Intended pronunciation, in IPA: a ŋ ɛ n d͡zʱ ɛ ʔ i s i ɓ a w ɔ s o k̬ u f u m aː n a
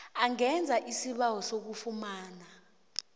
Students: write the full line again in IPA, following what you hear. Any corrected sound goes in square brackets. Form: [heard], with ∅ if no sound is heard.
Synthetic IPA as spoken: a ŋ ɛ n d͡zʱ [a] ʔ i s i ɓ a w ɔ s o k̬ u f u m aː n a